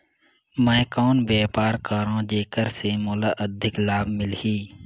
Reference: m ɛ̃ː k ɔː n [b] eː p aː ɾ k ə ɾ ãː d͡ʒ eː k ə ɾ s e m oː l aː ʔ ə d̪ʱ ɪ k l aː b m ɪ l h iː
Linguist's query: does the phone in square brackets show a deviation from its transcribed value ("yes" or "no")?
no